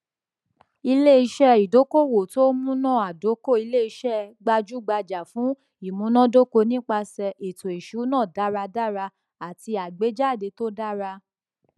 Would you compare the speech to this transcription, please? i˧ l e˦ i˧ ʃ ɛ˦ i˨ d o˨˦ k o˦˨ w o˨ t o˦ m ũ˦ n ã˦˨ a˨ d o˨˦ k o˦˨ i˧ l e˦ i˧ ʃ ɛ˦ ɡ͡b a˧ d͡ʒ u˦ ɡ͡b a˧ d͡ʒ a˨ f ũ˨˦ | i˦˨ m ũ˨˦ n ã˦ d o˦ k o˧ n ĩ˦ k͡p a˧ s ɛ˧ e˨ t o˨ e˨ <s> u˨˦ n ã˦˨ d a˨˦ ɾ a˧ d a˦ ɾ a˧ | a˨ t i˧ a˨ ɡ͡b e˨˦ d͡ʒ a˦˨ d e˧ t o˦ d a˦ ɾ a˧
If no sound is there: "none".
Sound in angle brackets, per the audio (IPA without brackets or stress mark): ʃ